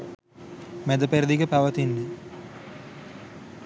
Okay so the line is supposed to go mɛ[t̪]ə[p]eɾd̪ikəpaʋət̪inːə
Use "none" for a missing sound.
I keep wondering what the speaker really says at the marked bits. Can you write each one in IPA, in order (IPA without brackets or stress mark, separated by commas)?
d̪, p